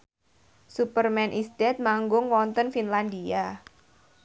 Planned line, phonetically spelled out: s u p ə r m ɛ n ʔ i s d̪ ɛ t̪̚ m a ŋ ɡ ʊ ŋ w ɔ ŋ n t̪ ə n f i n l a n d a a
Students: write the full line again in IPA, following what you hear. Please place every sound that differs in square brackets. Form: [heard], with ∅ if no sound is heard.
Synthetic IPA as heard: s u p ə r m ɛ n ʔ i s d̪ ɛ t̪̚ m a ŋ ɡ ʊ ŋ w ɔ [∅] n t̪ ə n f i n l a n d [i] a